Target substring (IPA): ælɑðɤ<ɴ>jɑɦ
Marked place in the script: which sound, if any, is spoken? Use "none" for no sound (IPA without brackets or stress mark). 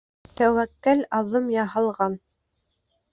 m